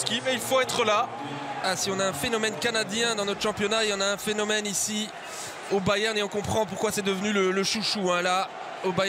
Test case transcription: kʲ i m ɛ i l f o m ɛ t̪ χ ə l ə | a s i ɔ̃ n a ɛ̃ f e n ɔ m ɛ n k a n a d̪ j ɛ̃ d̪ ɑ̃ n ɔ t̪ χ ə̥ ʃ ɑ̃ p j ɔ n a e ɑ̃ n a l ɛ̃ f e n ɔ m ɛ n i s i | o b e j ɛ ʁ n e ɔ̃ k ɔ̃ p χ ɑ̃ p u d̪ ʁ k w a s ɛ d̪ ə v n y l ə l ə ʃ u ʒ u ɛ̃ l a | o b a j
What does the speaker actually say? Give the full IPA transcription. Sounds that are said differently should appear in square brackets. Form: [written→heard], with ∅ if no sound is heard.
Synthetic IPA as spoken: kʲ i m ɛ i l f o [m→∅] ɛ t̪ χ ə l [ə→a] | a s i ɔ̃ n a ɛ̃ f e n ɔ m ɛ n k a n a d̪ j ɛ̃ d̪ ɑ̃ n ɔ t̪ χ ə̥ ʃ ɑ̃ p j ɔ n a e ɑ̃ n a [l→∅] ɛ̃ f e n ɔ m ɛ n i s i | o b [e→a] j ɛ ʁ n e ɔ̃ k ɔ̃ p χ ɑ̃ p u [d̪→∅] ʁ k w a s ɛ d̪ ə v n y l ə l ə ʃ u [ʒ→ʃ] u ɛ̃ l a | o b a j